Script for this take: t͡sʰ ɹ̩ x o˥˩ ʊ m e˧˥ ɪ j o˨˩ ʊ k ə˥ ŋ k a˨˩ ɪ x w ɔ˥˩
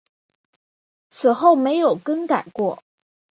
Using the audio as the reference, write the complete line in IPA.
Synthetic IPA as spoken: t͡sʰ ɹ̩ x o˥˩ ʊ m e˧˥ ɪ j o˨˩ ʊ k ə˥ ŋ k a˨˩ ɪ k w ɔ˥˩

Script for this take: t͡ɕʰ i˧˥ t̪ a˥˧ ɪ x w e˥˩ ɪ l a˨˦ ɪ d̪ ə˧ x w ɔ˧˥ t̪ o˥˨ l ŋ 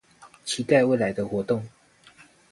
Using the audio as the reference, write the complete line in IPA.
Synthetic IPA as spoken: t͡ɕʰ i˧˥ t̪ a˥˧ ɪ w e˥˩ ɪ l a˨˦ ɪ d̪ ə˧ x w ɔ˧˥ t̪ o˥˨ ŋ

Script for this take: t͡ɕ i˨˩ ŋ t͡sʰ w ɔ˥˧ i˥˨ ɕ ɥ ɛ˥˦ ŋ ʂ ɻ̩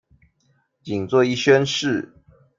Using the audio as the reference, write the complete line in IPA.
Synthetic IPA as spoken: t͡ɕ i˨˩ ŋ t͡s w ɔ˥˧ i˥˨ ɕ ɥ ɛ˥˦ n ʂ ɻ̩

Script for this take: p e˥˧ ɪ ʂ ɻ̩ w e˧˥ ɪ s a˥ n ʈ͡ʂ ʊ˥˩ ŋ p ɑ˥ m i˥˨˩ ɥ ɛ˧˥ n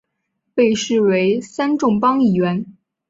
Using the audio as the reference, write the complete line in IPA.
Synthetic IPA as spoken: p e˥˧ ɪ ʂ ɻ̩ w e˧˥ ɪ s a˥ n ʈ͡ʂ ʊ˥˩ ŋ p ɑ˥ ŋ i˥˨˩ ɥ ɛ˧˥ n

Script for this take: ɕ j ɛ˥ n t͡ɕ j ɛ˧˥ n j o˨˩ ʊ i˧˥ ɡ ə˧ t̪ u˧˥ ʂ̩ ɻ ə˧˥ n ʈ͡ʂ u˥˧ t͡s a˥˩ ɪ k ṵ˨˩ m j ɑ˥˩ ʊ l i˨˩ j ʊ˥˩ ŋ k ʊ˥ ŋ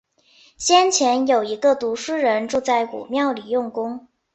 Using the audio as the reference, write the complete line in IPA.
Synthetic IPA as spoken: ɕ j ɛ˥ n t͡ɕʰ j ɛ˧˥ n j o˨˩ ʊ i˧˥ ɡ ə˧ t̪ u˧˥ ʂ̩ ɻ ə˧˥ n ʈ͡ʂ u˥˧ t͡s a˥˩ ɪ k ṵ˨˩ m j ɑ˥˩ ʊ l i˨˩ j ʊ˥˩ ŋ k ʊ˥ ŋ

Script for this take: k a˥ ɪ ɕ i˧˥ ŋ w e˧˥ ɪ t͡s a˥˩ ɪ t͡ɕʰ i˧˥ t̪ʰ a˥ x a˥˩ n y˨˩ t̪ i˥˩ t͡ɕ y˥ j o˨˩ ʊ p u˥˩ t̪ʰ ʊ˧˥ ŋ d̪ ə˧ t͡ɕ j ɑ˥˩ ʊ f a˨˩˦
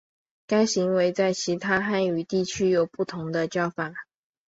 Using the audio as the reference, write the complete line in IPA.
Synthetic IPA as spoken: k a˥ ɪ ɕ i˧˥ ŋ w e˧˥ ɪ t͡s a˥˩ ɪ t͡ɕʰ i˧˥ t̪ʰ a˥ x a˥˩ n y˨˩ t̪ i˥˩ t͡ɕʰ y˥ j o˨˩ ʊ p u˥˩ t̪ʰ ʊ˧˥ ŋ d̪ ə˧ t͡ɕ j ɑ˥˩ ʊ f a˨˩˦

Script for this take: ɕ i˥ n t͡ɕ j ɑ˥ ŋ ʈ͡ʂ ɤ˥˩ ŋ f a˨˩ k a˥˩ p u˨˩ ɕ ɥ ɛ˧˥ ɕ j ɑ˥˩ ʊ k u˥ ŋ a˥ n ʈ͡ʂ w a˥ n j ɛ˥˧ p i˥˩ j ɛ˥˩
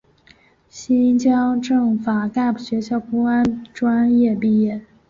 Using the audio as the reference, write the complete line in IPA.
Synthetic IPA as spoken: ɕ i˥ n t͡ɕ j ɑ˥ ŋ ʈ͡ʂ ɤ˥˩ ŋ f a˨˩ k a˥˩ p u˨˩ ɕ ɥ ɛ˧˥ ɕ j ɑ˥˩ ʊ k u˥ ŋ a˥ n ʈ͡ʂ w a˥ n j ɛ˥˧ p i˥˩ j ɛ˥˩

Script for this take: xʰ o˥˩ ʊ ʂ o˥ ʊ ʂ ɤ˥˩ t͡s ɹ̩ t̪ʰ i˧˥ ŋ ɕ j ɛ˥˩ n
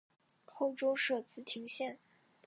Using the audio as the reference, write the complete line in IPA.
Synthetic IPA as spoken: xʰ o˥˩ ʊ ʈ͡ʂ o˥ ʊ ʂ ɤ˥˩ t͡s ɹ̩ t̪ʰ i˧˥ ŋ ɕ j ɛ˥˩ n

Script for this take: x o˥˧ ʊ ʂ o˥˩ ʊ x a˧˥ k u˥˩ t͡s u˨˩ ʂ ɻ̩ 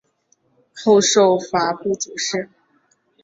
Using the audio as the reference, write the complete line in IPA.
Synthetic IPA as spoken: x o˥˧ ʊ ʂ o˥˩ ʊ f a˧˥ p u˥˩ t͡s u˨˩ ʂ ɻ̩

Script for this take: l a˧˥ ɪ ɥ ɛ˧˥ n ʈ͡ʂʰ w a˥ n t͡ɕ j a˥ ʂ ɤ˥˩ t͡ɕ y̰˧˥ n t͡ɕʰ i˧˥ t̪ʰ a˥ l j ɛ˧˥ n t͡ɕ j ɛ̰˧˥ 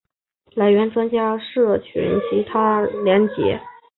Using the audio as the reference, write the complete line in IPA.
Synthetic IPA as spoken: l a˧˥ ɪ ɥ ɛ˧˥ n ʈ͡ʂ w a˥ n t͡ɕ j a˥ ʂ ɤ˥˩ t͡ɕʰ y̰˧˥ n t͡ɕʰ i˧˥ t̪ʰ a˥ l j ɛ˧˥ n t͡ɕ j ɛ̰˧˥

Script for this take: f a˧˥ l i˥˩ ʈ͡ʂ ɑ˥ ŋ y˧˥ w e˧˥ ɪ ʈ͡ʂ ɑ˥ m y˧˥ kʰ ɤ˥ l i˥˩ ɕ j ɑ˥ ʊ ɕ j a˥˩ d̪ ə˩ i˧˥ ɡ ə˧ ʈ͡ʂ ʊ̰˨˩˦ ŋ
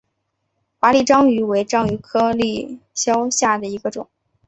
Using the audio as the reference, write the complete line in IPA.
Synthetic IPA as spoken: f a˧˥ l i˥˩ ʈ͡ʂ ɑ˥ ŋ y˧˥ w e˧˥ ɪ ʈ͡ʂ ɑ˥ ŋ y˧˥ kʰ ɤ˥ l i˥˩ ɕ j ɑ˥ ʊ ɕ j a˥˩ d̪ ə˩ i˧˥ ɡ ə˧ ʈ͡ʂ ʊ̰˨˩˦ ŋ

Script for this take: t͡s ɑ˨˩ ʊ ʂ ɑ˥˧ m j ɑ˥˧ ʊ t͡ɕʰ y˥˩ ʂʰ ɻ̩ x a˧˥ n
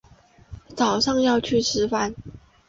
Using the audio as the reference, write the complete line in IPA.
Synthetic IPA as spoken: t͡s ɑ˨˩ ʊ ʂ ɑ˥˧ ŋ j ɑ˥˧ ʊ t͡ɕʰ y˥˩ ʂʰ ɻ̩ f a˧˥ n

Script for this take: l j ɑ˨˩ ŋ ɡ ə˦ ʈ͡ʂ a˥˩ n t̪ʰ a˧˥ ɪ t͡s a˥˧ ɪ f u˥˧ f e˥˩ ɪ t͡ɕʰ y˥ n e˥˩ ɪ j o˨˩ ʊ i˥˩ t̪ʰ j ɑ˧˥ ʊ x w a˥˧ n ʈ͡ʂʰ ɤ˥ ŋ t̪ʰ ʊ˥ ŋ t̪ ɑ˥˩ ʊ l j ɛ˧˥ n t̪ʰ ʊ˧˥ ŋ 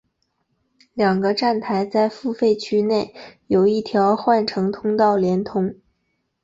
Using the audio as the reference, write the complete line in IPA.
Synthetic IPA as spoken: l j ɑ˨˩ ŋ ɡ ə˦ ʈ͡ʂ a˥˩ n t̪ʰ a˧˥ ɪ t͡s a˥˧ ɪ f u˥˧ f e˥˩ ɪ t͡ɕʰ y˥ n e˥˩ ɪ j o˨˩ ʊ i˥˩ t̪ʰ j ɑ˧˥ ʊ x w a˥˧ n ʈ͡ʂʰ ɤ˧˥ ŋ t̪ʰ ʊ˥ ŋ t̪ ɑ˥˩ ʊ l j ɛ˧˥ n t̪ʰ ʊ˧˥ ŋ

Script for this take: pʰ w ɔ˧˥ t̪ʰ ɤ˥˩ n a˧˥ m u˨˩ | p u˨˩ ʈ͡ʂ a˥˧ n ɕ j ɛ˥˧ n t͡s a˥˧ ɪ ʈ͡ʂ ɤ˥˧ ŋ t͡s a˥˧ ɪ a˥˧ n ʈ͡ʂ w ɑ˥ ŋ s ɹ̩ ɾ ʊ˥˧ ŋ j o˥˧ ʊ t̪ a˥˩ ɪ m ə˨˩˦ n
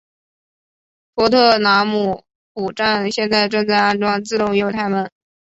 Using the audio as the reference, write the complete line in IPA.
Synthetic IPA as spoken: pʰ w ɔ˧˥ t̪ʰ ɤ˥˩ n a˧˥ m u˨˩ | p u˨˩ ʈ͡ʂ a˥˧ n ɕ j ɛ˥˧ n t͡s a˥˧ ɪ ʈ͡ʂ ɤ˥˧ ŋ t͡s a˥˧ ɪ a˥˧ n ʈ͡ʂ w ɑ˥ ŋ t͡s ɹ̩ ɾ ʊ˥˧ ŋ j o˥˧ ʊ t̪ʰ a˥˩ ɪ m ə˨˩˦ n

